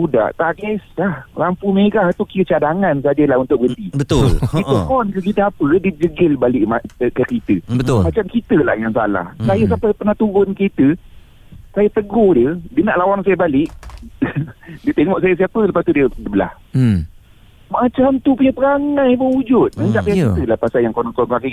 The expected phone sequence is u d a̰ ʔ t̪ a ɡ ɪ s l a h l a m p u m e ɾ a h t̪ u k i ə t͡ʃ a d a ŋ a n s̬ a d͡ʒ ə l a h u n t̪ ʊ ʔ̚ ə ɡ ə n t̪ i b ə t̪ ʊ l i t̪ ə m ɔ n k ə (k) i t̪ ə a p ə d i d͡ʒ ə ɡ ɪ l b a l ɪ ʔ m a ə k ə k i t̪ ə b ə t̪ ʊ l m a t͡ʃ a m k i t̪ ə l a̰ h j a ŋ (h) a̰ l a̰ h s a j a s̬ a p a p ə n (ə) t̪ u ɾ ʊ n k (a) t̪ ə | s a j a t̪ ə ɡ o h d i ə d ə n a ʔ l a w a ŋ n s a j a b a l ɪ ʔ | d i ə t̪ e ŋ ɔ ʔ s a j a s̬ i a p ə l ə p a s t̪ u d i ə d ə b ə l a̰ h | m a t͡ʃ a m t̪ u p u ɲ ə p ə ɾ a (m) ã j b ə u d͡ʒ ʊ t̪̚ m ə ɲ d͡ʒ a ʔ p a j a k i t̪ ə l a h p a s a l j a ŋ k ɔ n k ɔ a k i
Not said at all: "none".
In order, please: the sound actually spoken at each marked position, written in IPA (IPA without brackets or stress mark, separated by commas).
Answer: k, s, a, i, ŋ